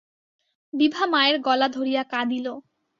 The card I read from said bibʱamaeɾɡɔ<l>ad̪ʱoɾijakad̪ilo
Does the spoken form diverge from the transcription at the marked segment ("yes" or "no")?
no